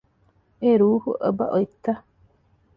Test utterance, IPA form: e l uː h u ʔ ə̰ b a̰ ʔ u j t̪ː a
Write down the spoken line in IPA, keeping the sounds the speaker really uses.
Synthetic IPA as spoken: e ɾ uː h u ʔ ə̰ b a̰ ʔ o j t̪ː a